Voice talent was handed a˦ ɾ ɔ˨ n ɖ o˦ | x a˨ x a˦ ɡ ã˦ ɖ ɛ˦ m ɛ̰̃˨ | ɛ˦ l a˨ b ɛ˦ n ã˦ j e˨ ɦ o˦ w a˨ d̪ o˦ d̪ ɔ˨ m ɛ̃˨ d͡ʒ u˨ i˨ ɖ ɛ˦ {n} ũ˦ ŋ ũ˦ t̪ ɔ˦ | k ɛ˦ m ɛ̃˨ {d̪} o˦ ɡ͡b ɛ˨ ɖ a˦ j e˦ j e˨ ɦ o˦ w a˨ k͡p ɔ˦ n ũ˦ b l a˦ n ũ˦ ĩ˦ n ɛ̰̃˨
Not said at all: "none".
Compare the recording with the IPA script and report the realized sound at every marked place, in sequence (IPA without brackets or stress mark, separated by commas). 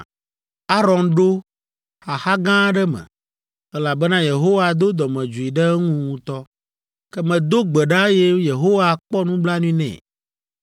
ŋ, d̪